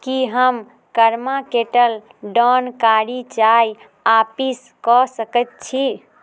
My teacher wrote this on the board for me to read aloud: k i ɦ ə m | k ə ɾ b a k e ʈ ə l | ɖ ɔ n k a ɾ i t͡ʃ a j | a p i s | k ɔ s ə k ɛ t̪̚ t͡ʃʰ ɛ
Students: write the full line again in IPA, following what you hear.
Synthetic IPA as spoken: k i ɦ ə m | k ə ɾ m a k e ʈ ə l | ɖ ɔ n k a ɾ i t͡ʃ a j | a p i s | k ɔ s ə k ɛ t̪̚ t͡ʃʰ i